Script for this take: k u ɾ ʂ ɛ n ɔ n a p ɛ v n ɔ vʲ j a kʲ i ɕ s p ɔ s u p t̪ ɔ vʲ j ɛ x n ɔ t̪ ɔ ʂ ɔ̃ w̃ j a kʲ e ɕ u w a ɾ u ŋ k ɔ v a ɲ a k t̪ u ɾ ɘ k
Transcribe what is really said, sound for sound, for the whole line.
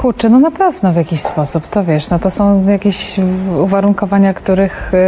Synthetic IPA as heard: k u ɾ t͡ʂ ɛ n ɔ n a p ɛ v n ɔ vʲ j a kʲ i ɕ s p ɔ s u p t̪ ɔ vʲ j ɛ ʂ n ɔ t̪ ɔ s ɔ̃ w̃ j a kʲ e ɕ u v a ɾ u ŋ k ɔ v a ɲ a k t̪ u ɾ ɘ x